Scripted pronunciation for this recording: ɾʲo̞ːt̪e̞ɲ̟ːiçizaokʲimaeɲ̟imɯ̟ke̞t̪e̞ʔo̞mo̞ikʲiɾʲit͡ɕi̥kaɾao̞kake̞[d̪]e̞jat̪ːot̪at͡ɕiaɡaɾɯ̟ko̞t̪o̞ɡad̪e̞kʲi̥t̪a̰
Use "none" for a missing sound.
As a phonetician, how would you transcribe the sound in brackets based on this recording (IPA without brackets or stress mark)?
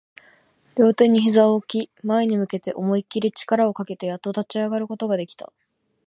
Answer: t̪